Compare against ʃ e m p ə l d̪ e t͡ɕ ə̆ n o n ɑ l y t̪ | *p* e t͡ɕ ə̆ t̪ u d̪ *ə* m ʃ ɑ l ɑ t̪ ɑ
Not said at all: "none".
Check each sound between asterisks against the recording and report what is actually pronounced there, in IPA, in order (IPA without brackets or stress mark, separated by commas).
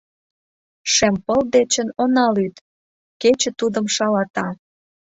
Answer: k, ə